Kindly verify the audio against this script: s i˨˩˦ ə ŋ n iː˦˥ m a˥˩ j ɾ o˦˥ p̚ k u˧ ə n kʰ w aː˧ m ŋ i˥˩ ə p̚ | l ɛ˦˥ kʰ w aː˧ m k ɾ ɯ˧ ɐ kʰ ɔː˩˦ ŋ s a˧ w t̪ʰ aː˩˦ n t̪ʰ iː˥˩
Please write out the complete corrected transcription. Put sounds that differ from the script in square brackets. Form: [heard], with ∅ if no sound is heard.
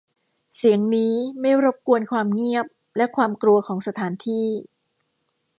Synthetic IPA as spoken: s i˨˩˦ ə ŋ n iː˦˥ m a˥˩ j ɾ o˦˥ p̚ k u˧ ə n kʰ w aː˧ m ŋ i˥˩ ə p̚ | l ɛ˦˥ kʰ w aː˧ m k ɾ [u˧] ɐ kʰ ɔː˩˦ ŋ s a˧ [∅] t̪ʰ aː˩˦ n t̪ʰ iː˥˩